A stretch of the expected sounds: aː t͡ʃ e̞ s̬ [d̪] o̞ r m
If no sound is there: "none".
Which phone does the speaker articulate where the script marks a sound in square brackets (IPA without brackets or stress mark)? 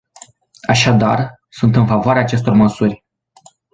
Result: t̪